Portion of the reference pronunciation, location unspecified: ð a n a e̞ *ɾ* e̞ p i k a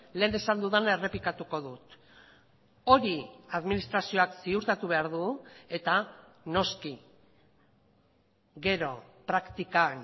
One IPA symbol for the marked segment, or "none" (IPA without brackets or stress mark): r